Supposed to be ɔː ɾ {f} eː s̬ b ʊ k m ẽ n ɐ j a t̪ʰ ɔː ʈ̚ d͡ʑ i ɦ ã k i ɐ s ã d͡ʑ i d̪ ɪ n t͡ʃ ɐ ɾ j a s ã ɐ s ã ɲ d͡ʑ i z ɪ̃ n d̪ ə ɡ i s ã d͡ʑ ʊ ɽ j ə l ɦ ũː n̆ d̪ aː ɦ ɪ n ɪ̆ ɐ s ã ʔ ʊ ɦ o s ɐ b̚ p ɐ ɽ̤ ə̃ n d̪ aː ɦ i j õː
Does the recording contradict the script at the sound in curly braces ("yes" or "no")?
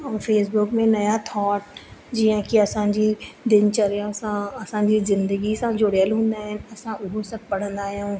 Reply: no